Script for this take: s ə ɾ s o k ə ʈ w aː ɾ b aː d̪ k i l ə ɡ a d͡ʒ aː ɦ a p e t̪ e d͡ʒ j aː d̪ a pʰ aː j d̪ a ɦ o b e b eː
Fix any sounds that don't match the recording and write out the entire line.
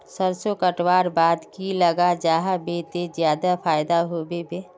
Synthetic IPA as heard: s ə ɾ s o k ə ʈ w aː ɾ b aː d̪ k i l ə ɡ a d͡ʒ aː ɦ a b e t̪ e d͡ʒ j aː d̪ a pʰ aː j d̪ a ɦ o b e b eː